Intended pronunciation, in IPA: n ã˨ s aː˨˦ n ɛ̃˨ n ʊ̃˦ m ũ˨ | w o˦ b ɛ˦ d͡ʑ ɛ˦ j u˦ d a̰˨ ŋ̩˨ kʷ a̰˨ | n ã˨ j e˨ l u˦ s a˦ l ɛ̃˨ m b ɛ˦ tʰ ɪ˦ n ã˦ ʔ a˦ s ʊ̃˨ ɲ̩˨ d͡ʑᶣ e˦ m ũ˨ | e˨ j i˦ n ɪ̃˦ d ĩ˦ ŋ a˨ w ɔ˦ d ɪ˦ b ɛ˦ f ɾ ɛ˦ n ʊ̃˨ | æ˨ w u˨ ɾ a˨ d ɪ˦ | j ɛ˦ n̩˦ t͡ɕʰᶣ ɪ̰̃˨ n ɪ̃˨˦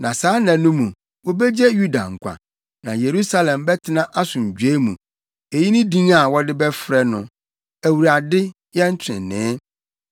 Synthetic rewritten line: n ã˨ s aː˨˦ n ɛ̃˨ n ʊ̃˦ m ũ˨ | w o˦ b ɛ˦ d͡ʑ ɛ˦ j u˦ d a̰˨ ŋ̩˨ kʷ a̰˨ | n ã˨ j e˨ ɾ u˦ s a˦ l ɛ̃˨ m b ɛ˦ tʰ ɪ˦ n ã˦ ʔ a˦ s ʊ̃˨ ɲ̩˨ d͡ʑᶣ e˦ m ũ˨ | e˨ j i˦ n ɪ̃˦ d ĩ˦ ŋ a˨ w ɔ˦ d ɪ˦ b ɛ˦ f ɾ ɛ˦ n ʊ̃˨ | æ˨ w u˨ ɾ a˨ d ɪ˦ | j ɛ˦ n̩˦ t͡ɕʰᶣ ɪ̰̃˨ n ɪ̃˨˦